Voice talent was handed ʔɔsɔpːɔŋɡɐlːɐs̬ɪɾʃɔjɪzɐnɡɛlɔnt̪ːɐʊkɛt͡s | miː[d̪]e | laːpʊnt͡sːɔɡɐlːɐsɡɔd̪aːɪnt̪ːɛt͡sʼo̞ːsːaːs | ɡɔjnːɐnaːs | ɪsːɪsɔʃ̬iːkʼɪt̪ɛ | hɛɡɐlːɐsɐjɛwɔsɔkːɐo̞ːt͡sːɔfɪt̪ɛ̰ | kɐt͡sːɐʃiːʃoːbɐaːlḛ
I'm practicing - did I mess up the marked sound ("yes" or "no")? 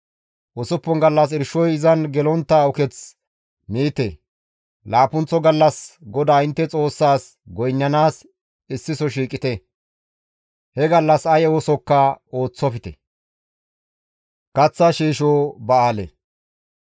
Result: yes